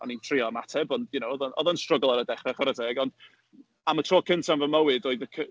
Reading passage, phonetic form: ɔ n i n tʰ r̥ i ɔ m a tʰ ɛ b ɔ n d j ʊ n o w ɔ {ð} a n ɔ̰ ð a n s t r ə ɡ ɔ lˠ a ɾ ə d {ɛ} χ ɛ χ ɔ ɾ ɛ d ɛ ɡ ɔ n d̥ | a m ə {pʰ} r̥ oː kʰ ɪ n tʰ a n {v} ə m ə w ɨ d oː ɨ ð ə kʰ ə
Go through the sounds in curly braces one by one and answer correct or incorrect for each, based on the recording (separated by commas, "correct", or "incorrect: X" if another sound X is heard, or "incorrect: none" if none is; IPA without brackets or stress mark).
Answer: correct, correct, incorrect: tʰ, correct